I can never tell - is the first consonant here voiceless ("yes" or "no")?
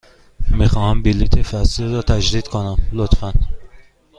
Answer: no